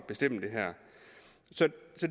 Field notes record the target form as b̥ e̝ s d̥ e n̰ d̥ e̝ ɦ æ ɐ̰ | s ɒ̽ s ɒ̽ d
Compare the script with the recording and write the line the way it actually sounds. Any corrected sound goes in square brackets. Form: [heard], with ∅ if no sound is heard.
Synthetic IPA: b̥ e̝ s d̥ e [m̰] d̥ e̝ ɦ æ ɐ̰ | s ɒ̽ s ɒ̽ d